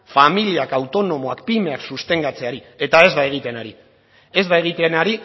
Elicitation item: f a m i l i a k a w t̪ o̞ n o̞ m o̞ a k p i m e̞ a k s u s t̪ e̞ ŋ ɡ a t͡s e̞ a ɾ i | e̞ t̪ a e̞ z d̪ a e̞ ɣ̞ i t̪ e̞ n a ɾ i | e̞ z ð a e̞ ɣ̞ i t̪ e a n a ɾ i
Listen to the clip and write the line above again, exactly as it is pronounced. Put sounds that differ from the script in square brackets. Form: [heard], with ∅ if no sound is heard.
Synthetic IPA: f a m i l i a k a w t̪ o̞ n o̞ m o̞ a k p i m e̞ a k s u s t̪ e̞ ŋ ɡ a t͡s e̞ a ɾ i | e̞ t̪ a e̞ z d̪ a e̞ ɣ̞ i t̪ e̞ n a ɾ i | e̞ z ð a e̞ ɣ̞ i t̪ e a n a ɾ i